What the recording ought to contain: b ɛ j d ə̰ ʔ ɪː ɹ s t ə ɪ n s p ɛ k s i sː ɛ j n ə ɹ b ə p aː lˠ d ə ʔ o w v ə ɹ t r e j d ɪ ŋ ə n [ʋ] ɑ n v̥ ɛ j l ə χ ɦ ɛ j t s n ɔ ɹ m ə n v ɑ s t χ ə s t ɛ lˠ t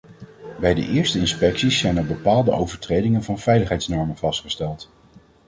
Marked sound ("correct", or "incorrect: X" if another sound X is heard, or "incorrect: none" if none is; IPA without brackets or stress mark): incorrect: v